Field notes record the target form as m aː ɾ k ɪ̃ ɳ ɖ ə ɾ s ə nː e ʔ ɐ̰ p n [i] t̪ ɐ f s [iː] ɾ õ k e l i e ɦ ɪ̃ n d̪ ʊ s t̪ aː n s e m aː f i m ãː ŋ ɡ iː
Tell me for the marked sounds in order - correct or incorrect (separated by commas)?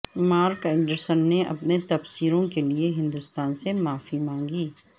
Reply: incorrect, correct